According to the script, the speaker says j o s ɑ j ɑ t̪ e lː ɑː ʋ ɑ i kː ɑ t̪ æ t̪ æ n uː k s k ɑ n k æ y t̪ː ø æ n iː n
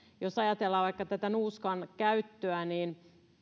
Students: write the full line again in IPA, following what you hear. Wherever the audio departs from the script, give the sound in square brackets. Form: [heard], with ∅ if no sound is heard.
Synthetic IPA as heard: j o s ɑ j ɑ t̪ e lː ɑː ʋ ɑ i kː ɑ t̪ æ t̪ æ n uː [∅] s k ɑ n k æ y t̪ː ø æ n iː n